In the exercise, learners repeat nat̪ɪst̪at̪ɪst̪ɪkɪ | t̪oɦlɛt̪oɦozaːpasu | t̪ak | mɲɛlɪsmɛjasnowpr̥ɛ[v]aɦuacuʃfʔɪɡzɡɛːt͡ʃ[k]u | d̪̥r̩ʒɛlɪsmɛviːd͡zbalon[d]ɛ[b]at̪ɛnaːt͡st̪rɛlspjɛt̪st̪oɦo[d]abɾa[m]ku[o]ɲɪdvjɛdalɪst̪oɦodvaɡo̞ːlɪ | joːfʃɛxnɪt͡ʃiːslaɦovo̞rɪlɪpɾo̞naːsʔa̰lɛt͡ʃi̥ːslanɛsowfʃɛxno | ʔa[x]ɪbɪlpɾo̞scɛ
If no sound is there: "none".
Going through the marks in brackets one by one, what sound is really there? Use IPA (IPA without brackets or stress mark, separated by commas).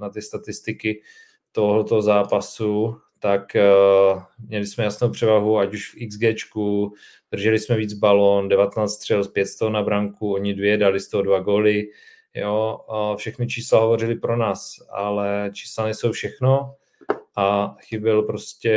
v, k, d, v, n, ŋ, o, x